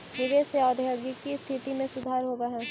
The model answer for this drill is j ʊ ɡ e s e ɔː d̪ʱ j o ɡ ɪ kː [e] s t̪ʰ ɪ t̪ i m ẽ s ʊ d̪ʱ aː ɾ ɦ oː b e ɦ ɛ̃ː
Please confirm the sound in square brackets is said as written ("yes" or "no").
no